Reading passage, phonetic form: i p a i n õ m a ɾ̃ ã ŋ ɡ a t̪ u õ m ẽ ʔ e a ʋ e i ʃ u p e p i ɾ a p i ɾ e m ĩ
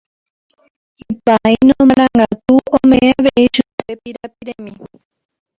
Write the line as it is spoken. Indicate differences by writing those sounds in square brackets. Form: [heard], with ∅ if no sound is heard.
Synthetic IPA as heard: i p a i n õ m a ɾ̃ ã ŋ ɡ a t̪ u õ m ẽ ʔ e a ʋ e i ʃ u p e p i ɾ a p i ɾ e m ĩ